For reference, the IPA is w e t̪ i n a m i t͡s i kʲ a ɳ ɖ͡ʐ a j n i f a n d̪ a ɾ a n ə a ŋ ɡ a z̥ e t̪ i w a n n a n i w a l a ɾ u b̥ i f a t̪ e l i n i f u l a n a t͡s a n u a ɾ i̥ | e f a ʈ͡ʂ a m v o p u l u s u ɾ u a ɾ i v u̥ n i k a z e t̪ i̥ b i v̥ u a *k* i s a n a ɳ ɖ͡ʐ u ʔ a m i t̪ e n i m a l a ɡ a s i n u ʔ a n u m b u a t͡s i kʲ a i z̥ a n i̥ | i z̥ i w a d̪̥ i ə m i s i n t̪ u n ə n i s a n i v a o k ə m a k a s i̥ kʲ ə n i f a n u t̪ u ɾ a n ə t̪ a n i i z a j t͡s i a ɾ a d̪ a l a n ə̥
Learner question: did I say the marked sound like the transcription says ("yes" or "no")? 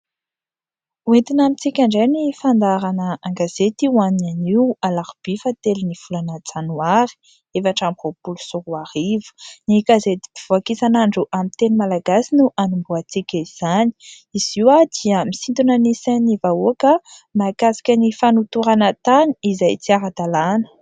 yes